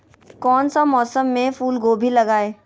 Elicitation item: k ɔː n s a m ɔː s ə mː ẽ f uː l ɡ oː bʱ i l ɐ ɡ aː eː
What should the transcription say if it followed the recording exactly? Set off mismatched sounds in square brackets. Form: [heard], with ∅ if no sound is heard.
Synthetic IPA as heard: k ɔː n s a m ɔː s ə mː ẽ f uː l ɡ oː bʱ i l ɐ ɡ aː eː